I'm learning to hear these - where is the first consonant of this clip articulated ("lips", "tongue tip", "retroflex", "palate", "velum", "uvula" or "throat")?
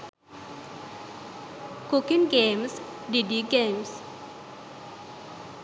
velum